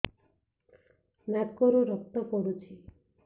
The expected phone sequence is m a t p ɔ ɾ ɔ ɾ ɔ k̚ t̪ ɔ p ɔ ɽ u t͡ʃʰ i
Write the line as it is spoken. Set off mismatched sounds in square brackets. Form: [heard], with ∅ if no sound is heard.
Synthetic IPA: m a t [k] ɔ ɾ [u] ɾ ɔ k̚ t̪ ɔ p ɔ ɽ u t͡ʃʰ i